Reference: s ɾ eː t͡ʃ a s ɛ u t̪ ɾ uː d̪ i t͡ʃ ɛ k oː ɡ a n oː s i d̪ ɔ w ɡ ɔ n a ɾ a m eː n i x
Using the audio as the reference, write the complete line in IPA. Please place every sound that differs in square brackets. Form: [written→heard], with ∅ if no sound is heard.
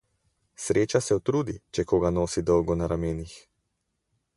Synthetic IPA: s ɾ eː t͡ʃ a s ɛ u t̪ ɾ uː d̪ i t͡ʃ ɛ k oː ɡ a n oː s i d̪ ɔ w ɡ ɔ n a ɾ a m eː n i x